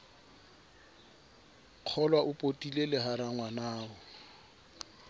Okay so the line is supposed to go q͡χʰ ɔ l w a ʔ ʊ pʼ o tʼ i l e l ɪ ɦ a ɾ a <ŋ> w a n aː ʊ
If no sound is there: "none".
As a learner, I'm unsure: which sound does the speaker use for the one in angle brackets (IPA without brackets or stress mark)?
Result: ŋ